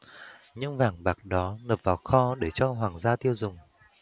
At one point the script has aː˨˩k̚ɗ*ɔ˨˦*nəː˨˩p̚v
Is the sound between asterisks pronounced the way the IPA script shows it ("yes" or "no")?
yes